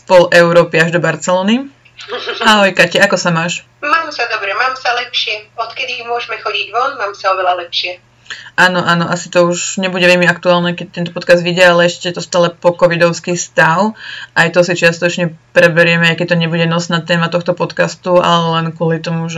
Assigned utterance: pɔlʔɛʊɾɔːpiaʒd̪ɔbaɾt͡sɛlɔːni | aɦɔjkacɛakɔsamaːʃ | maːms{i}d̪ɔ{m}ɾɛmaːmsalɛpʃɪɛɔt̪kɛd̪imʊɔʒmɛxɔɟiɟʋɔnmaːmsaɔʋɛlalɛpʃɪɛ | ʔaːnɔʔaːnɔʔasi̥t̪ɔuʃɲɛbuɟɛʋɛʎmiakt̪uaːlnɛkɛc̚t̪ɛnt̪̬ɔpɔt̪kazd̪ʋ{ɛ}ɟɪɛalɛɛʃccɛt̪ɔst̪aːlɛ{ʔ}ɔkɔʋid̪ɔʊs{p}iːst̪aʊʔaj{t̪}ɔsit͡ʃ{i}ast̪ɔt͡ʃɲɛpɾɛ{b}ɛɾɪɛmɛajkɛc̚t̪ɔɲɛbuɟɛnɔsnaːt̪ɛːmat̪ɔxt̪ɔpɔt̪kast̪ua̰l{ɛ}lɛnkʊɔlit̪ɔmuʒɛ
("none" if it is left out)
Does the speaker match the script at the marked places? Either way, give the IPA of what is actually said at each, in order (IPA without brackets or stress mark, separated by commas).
a, b, i, p, k, t̪, ɪ, b, ɛ